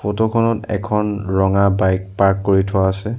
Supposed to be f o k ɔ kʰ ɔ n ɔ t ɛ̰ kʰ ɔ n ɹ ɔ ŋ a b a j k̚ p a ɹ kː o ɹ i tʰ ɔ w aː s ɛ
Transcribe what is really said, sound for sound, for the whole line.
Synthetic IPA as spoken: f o t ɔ kʰ ɔ n ɔ t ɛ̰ kʰ ɔ n ɹ ɔ ŋ a b a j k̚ p a ɹ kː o ɹ i tʰ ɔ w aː s ɛ

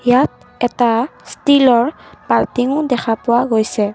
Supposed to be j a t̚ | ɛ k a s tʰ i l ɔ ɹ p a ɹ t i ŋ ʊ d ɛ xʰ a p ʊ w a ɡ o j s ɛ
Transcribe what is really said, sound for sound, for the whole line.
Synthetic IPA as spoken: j a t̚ | ɛ t a s t i l ɔ ɹ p a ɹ t i ŋ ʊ d ɛ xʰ a p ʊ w a ɡ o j s ɛ

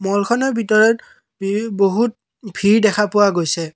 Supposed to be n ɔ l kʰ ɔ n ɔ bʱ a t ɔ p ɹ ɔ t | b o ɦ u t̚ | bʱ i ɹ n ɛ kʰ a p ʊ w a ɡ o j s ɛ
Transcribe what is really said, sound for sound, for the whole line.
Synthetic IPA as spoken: m ɔ l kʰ ɔ n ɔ bʱ i t ɔ ɹ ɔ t | b o ɦ u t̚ | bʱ i ɹ d ɛ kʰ a p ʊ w a ɡ o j s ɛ

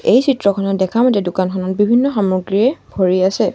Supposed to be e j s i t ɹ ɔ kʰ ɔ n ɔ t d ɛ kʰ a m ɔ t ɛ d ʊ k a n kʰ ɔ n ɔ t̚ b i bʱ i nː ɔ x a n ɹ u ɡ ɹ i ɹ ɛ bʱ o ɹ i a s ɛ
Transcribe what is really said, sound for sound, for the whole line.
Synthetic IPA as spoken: e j s i t ɹ ɔ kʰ ɔ n ɔ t d ɛ kʰ a m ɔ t ɛ d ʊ k a n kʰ ɔ n ɔ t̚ b i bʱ i nː ɔ x a m ɹ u ɡ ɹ i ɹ ɛ bʱ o ɹ i a s ɛ

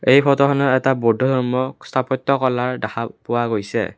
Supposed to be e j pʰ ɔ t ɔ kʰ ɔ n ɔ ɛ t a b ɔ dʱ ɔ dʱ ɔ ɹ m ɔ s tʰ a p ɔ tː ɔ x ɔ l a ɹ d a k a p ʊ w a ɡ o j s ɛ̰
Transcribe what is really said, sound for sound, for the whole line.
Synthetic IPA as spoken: e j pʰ ɔ t ɔ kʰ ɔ n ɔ ɛ t a b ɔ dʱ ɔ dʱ ɔ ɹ m ɔ s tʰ a p ɔ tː ɔ k ɔ l a ɹ d a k a p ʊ w a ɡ o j s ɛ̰

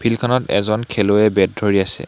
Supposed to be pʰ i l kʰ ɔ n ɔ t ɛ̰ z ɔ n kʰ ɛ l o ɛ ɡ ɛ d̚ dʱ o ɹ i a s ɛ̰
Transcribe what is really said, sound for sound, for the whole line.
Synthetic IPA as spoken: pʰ i l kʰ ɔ n ɔ t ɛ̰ z ɔ n kʰ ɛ l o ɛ b ɛ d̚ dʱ o ɹ i a s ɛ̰

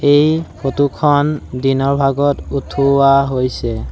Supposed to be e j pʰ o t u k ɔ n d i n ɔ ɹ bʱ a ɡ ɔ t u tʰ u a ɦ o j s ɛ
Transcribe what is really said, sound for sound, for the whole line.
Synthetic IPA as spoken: e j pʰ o t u kʰ ɔ n d i n ɔ ɹ bʱ a ɡ ɔ t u tʰ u a ɦ o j s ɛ

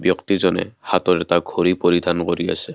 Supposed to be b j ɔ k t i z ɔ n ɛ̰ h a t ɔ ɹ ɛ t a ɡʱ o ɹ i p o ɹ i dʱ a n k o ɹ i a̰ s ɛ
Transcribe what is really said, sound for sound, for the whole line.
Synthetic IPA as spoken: b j ɔ k t i z ɔ n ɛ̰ h a t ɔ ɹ ɛ t a ɡʱ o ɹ i p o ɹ i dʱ a n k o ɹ i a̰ s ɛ

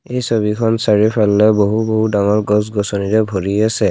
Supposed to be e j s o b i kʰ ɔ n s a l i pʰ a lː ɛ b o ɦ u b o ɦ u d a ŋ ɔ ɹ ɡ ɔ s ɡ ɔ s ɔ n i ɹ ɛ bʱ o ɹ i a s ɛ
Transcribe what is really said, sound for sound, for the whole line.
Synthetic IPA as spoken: e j s o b i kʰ ɔ n s a ɹ i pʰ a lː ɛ b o ɦ u b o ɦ u d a ŋ ɔ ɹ ɡ ɔ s ɡ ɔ s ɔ n i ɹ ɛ bʱ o ɹ i a s ɛ

